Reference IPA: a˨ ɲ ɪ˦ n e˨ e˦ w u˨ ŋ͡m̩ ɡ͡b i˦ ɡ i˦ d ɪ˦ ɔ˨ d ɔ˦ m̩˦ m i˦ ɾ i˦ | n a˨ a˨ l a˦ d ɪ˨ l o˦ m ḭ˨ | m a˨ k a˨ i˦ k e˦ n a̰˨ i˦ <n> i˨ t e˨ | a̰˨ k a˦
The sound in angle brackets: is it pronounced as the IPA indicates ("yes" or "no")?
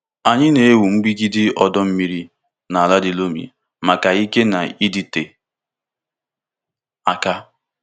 no